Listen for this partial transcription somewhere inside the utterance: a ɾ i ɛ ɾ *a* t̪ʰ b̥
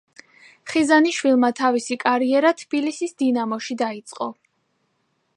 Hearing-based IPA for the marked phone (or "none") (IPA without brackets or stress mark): a